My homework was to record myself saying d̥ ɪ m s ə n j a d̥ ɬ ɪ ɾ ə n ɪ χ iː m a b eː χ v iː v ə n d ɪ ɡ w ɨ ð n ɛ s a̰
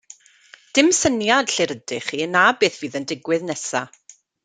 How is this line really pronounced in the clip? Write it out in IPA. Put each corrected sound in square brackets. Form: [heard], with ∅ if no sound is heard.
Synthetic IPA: d̥ ɪ m s ə n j a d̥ ɬ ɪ ɾ ə [d] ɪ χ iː [n] a b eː [θ] v iː [ð] ə n d ɪ ɡ w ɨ ð n ɛ s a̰